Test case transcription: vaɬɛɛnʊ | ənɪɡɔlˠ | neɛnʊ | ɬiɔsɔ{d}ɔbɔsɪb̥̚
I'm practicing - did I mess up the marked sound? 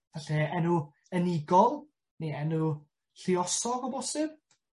yes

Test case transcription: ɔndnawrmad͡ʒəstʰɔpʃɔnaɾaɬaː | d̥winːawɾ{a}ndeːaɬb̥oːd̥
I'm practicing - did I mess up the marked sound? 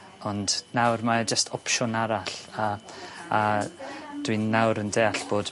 yes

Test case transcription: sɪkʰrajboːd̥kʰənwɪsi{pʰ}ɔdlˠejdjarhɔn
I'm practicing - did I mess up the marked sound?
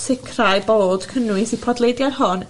no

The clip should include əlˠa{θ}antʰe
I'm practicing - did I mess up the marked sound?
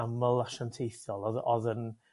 yes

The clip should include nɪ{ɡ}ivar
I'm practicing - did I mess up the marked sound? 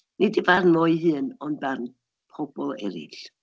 yes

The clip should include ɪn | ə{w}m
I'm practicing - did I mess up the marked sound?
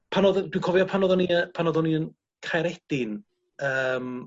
yes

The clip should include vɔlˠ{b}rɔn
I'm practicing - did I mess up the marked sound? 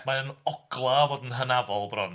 no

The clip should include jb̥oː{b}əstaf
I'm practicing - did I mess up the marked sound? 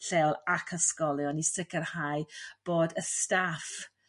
yes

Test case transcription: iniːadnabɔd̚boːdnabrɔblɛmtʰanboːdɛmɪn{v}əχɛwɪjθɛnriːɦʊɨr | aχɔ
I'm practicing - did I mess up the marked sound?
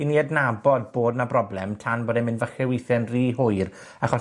no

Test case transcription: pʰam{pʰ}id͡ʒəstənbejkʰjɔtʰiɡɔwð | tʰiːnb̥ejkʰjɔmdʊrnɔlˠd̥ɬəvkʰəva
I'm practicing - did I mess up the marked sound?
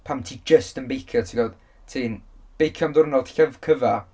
yes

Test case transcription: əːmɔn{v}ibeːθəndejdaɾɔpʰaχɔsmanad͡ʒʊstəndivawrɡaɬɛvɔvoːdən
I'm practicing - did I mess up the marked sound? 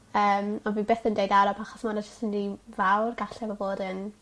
no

